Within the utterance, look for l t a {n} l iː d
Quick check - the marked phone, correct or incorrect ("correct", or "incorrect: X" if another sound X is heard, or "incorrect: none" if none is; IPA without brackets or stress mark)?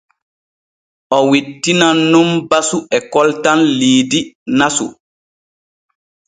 correct